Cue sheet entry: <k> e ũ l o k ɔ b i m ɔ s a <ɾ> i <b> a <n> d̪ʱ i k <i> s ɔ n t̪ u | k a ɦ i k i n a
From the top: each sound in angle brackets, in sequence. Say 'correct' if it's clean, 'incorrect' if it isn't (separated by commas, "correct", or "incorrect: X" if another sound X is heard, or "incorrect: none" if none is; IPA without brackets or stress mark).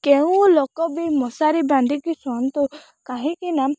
correct, correct, correct, correct, correct